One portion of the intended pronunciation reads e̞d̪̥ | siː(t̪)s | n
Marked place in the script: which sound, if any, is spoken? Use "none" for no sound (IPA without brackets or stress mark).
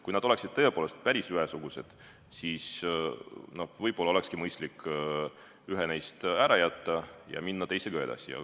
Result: none